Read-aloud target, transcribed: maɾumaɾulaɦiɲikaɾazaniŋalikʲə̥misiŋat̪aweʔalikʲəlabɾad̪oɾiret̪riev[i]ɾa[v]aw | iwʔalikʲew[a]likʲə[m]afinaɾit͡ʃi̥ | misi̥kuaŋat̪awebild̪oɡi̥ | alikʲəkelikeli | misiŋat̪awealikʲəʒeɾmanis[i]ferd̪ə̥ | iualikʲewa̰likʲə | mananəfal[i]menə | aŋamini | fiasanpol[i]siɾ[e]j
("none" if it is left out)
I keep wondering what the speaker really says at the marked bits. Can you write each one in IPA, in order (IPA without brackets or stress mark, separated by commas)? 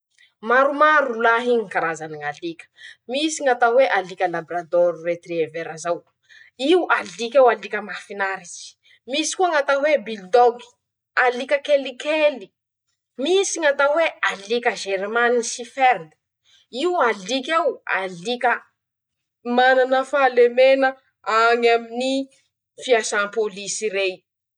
e, z, a, m, i, e, i, e